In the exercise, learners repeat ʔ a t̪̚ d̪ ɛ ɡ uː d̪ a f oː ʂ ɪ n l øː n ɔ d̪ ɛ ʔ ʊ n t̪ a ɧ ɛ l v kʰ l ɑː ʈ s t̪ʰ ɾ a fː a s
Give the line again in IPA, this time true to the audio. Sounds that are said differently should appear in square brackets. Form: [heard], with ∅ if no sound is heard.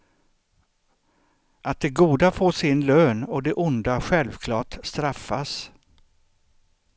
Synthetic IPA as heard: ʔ a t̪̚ d̪ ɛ ɡ uː d̪ a f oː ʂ ɪ n l øː n ɔ d̪ ɛ ʔ ʊ n [d̪] a ɧ ɛ l v kʰ l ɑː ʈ s [t̪] ɾ a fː a s